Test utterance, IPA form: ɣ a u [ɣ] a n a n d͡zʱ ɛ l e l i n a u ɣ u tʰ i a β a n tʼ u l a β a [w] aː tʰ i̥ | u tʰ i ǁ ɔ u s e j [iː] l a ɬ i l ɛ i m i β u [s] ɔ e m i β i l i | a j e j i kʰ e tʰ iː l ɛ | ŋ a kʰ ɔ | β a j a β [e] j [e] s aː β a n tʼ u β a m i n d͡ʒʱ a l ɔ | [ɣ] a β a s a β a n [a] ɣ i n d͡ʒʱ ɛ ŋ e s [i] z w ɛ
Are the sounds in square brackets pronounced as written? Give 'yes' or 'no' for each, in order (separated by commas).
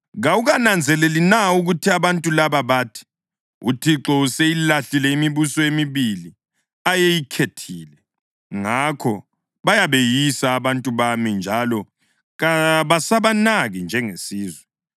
yes, no, no, yes, yes, no, yes, yes, no